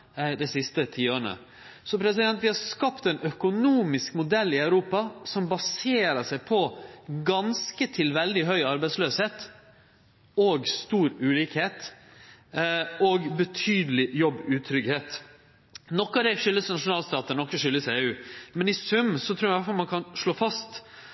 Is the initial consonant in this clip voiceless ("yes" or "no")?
no